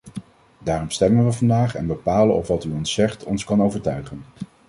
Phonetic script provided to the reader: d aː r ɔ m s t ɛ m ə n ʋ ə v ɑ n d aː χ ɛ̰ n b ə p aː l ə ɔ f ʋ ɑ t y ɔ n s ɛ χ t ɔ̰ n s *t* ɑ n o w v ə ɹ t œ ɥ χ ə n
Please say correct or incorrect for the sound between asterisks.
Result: incorrect